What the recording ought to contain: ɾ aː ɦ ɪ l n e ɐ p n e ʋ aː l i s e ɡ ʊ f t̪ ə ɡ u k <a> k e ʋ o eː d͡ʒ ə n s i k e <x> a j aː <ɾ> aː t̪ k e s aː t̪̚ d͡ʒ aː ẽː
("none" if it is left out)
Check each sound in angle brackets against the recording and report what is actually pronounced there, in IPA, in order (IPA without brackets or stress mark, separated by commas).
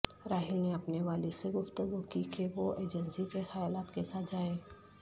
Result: i, x, l